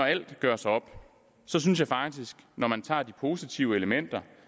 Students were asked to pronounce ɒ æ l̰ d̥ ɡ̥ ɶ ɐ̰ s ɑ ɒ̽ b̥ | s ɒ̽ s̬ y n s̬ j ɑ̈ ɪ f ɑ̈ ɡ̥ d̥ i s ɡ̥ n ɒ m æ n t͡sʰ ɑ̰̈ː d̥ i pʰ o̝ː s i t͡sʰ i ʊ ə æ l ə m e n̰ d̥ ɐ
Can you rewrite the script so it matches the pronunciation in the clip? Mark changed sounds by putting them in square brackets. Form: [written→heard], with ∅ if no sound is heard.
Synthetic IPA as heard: ɒ æ l̰ d̥ ɡ̥ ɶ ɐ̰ s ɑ ɒ̽ b̥ | s ɒ̽ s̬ y n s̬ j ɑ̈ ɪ f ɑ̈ ɡ̥ d̥ i s ɡ̥ n ɒ m æ n t͡sʰ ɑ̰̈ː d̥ i pʰ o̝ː s i t͡sʰ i ʊ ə [æ→e] l ə m e n̰ d̥ ɐ